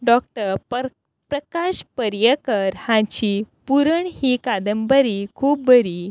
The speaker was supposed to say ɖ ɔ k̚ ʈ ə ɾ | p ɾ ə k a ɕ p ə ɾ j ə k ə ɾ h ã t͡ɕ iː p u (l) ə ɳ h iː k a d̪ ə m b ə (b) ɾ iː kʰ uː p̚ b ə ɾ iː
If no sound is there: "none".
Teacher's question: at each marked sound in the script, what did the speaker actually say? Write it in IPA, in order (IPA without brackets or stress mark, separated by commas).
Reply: ɾ, none